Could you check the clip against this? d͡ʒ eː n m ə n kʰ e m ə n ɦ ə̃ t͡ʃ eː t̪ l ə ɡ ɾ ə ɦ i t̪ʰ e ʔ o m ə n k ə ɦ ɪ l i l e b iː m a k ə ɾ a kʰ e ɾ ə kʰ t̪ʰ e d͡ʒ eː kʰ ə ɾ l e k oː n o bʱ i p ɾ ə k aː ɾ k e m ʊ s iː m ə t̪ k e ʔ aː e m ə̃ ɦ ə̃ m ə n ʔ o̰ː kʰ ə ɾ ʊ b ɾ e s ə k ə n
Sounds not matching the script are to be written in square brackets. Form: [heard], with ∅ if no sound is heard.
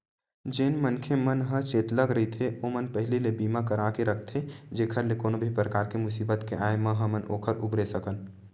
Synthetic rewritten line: d͡ʒ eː n m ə n kʰ e m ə n ɦ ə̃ t͡ʃ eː t̪ l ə ɡ ɾ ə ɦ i t̪ʰ e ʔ o m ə n [p] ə ɦ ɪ l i l e b iː m a k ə ɾ a [k] e ɾ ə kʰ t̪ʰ e d͡ʒ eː kʰ ə ɾ l e k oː n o bʱ i p ɾ ə k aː ɾ k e m ʊ s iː [b] ə t̪ k e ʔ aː e m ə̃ ɦ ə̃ m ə n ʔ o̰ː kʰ ə ɾ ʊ b ɾ e s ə k ə n